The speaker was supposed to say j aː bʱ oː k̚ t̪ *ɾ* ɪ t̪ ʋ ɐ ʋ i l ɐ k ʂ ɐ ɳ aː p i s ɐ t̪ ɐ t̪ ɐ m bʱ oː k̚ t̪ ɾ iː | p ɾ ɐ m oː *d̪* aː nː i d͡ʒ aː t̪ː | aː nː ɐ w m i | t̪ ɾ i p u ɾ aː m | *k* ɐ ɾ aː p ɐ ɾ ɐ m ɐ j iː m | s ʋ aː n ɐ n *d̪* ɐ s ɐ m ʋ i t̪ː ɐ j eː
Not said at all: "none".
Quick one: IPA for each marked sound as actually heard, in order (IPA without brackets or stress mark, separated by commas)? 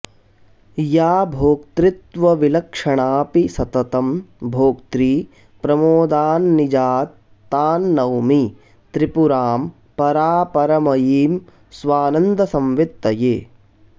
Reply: ɾ, d̪, p, d̪